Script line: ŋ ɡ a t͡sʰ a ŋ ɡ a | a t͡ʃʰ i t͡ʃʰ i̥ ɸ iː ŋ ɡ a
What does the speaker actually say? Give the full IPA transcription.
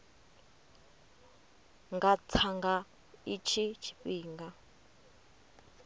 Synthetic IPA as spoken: ŋ ɡ a t͡sʰ a ŋ ɡ a | i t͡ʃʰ i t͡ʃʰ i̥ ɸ iː ŋ ɡ a